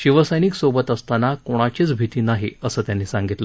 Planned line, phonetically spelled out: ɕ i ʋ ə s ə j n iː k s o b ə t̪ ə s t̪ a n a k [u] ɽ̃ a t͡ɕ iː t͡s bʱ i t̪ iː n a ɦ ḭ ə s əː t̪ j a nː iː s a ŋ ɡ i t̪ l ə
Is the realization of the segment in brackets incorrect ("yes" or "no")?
yes